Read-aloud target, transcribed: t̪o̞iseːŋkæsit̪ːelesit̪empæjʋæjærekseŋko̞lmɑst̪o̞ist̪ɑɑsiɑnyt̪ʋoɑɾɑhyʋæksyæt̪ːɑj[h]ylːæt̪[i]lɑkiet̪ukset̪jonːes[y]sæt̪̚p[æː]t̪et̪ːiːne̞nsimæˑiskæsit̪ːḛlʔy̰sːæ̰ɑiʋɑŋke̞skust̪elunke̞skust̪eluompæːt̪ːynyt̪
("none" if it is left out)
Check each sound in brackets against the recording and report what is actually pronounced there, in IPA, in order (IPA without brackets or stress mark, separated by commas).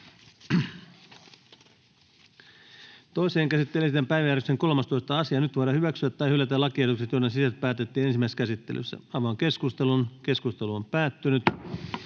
h, æ, i, æː